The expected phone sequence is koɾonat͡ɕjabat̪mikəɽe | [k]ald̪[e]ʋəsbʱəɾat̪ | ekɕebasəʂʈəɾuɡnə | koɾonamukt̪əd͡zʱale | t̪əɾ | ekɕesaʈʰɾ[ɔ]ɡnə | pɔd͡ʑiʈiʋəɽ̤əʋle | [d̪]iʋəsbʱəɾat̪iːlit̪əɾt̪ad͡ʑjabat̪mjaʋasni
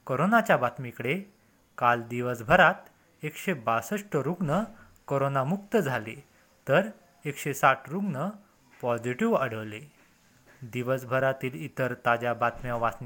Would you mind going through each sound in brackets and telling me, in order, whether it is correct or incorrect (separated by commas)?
correct, incorrect, incorrect, correct